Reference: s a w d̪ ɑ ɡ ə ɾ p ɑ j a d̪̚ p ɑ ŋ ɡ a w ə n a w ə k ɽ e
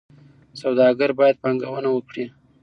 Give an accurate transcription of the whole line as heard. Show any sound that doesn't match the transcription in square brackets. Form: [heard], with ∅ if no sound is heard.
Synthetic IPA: s a w d̪ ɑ ɡ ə ɾ [b] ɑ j a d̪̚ p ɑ ŋ ɡ a w ə n a w ə k ɽ [i]